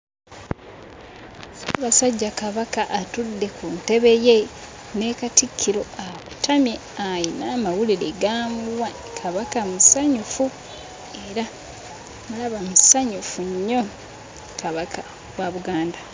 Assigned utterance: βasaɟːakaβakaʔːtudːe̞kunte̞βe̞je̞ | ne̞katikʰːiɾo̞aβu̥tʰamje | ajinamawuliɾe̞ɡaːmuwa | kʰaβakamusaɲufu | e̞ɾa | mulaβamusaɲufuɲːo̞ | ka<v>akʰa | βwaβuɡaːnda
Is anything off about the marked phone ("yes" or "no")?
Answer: yes